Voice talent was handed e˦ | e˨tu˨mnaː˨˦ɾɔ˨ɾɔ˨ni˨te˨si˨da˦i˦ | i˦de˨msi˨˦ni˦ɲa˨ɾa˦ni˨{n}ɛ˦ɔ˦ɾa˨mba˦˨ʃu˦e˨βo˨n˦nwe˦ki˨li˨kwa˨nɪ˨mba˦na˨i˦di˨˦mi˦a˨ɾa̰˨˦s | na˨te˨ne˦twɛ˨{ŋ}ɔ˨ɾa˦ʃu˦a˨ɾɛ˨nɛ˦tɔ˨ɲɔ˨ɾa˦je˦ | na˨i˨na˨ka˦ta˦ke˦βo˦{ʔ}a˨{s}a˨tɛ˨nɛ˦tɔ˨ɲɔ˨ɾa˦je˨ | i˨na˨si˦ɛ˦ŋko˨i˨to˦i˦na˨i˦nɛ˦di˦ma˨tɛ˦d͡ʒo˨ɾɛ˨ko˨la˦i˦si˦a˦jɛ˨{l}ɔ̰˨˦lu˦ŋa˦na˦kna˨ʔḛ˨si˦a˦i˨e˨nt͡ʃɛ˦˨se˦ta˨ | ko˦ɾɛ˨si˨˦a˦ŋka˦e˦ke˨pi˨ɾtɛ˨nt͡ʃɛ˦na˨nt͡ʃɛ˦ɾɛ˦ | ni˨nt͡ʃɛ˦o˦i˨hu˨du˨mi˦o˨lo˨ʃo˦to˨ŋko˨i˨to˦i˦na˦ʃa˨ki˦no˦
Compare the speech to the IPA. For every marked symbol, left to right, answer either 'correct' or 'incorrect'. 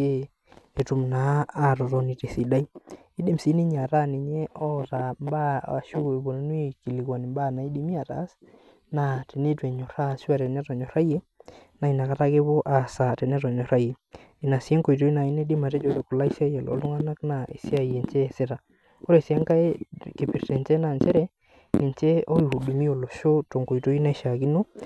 incorrect, incorrect, correct, correct, correct

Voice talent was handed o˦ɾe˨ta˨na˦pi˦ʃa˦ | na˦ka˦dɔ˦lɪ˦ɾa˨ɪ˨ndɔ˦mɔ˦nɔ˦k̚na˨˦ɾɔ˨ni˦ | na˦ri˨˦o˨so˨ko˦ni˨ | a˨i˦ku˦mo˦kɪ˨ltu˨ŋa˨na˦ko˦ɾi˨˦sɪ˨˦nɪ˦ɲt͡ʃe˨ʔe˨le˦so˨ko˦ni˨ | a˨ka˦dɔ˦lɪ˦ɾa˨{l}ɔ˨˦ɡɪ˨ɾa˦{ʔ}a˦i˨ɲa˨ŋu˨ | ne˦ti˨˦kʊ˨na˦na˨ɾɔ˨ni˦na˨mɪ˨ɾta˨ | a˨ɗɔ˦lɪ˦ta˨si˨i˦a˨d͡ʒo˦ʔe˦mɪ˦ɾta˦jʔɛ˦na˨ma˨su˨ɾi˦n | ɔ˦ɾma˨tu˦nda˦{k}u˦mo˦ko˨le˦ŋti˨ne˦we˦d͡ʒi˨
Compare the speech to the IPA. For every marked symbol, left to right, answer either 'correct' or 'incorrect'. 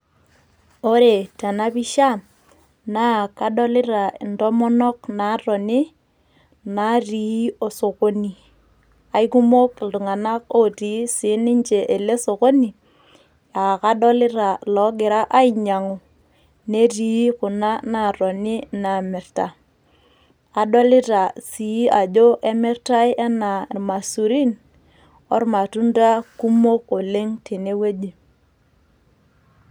correct, correct, correct

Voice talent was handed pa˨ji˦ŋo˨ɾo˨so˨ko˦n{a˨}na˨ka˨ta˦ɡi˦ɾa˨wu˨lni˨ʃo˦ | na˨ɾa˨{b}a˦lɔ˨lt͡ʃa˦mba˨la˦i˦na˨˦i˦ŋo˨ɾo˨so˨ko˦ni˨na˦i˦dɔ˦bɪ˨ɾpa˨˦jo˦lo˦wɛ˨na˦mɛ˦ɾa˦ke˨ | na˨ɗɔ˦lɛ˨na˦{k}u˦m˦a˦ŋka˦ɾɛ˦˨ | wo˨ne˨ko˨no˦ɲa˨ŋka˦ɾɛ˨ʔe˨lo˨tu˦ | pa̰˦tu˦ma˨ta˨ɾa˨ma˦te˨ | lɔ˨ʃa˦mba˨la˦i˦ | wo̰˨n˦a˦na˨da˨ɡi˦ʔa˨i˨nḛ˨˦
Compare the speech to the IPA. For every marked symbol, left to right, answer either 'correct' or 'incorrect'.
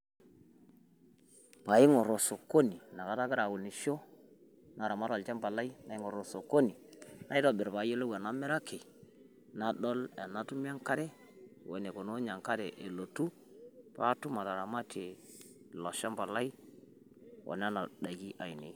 incorrect, incorrect, incorrect

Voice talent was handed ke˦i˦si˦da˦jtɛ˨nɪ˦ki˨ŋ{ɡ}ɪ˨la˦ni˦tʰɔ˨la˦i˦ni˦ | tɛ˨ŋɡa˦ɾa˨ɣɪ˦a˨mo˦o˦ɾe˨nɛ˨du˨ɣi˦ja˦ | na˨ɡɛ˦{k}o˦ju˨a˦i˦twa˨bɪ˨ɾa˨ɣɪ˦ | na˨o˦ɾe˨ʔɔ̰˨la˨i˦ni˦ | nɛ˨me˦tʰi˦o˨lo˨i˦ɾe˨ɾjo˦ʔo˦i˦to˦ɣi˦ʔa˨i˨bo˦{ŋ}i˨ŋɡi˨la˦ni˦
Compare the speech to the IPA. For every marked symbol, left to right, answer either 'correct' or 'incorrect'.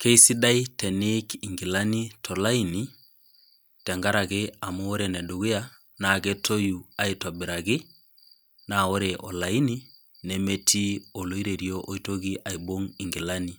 correct, incorrect, correct

